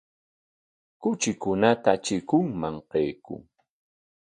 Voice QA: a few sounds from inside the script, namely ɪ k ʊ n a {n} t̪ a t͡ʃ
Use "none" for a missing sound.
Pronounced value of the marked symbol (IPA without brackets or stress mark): none